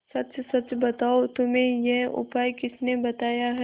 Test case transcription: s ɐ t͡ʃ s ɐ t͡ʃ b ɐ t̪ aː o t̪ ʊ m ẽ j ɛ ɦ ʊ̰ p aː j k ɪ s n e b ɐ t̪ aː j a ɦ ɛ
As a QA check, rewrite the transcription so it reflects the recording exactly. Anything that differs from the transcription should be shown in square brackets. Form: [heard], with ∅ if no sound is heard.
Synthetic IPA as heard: s ɐ t͡ʃ s ɐ t͡ʃ b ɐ t̪ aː o t̪ ʊ m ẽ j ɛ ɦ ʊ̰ p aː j k ɪ s n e b ɐ t̪ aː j a ɦ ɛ